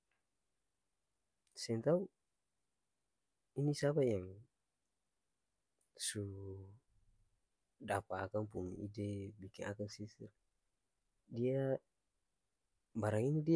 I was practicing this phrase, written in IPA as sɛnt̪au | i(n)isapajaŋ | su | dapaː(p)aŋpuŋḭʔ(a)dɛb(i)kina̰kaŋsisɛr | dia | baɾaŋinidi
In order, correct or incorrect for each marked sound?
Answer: correct, incorrect, incorrect, correct

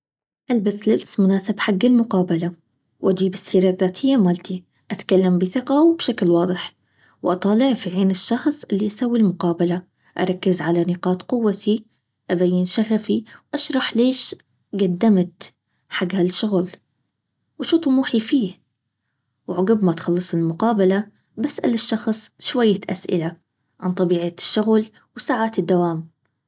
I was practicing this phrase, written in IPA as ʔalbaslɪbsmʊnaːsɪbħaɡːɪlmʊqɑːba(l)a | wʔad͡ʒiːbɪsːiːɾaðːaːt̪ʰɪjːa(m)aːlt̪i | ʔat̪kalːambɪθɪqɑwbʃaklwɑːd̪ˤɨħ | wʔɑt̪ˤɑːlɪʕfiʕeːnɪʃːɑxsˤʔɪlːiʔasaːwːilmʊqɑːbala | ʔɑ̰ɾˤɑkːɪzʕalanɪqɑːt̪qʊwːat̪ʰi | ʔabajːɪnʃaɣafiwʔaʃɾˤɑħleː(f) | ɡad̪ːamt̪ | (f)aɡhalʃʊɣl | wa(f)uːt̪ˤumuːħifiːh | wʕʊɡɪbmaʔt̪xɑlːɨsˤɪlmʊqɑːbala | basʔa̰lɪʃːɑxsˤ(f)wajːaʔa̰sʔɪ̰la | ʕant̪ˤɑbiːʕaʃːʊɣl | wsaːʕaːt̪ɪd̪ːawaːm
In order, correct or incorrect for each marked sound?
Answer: correct, correct, incorrect, incorrect, incorrect, incorrect

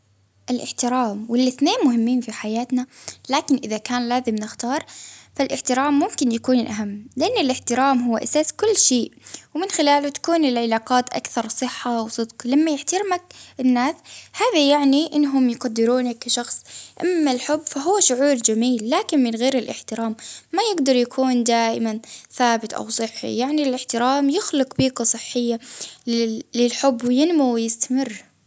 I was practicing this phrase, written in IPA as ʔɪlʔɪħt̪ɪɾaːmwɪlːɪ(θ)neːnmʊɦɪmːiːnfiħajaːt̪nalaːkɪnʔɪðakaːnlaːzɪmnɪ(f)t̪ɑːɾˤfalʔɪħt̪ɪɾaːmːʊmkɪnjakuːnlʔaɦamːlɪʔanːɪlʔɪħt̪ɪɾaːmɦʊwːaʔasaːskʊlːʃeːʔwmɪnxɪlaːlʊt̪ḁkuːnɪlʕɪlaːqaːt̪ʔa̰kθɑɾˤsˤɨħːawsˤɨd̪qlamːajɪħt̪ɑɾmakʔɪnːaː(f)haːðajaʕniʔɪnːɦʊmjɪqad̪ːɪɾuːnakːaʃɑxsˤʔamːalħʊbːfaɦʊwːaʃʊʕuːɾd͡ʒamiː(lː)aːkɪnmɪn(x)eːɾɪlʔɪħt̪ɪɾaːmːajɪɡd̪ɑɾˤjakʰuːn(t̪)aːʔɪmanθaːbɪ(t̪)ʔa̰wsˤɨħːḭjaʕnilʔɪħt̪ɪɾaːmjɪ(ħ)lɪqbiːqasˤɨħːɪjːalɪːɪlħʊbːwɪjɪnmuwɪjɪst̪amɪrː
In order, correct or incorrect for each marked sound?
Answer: correct, incorrect, incorrect, correct, incorrect, incorrect, correct, incorrect

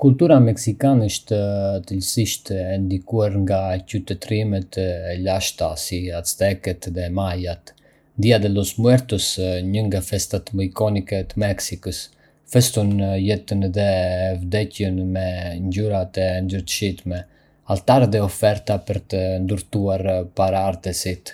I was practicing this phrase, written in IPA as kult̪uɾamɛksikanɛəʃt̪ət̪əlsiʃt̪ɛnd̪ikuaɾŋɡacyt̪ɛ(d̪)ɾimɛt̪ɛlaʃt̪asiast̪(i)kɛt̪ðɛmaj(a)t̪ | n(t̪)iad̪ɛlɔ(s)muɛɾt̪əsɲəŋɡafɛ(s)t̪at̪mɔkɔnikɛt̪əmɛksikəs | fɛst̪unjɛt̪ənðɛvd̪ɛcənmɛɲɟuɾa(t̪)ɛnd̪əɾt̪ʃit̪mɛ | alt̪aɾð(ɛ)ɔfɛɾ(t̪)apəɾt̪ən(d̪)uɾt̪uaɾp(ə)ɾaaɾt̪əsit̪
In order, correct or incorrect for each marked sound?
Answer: incorrect, incorrect, correct, incorrect, correct, correct, correct, correct, correct, correct, incorrect

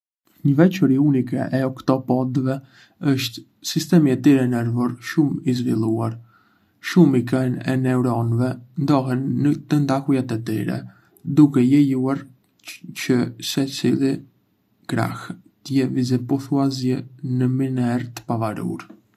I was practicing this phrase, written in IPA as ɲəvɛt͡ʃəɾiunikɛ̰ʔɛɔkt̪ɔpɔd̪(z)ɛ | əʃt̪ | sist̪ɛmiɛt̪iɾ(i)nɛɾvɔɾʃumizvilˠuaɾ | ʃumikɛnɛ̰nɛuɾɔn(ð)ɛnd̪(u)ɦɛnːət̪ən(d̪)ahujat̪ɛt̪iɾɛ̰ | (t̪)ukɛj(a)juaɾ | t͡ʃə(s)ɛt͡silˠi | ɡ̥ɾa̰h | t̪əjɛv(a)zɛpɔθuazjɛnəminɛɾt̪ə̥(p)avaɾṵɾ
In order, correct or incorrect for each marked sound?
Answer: incorrect, incorrect, incorrect, incorrect, correct, incorrect, incorrect, correct, incorrect, correct

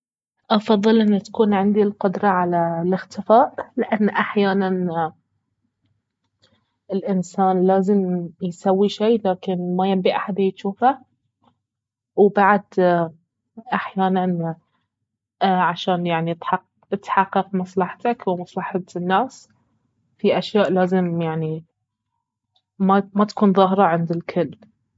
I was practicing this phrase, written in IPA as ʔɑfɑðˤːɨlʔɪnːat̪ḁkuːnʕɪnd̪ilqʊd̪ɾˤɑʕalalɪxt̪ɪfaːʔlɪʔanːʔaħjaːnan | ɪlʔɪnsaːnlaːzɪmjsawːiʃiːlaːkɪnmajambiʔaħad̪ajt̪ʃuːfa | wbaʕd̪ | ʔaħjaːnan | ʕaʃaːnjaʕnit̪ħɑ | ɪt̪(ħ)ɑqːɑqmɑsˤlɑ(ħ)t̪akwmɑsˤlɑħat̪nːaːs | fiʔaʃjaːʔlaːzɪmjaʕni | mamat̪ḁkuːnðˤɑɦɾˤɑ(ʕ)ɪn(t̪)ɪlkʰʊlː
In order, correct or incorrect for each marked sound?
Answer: correct, correct, correct, incorrect

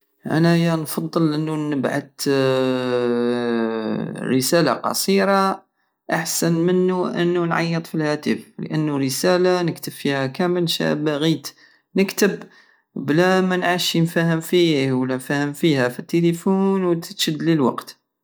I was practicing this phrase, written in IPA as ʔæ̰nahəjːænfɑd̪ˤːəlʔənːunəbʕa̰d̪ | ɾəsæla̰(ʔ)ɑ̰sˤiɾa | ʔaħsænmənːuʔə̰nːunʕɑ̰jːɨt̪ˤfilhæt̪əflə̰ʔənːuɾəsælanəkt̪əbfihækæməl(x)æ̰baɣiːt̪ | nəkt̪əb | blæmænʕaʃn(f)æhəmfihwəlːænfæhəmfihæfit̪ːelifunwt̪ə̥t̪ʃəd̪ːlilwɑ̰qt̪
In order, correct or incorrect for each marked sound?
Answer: incorrect, incorrect, correct

